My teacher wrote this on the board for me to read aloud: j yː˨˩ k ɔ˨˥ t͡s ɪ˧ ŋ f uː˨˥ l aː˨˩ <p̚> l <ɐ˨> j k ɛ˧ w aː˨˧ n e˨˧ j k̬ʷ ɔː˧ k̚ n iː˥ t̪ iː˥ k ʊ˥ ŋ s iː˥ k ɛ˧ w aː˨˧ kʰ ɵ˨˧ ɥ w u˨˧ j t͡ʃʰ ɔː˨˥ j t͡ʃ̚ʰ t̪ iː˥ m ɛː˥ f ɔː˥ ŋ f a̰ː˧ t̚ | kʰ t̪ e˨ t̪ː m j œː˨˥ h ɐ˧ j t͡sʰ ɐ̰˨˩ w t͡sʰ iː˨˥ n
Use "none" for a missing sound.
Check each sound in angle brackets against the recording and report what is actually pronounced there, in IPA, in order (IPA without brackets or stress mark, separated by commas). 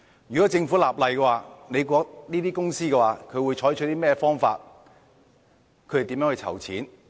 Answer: p̚, ɐ˨